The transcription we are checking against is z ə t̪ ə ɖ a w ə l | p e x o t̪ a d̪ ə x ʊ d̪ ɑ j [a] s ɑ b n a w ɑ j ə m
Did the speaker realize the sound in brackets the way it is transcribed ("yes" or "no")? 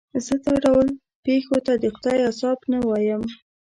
yes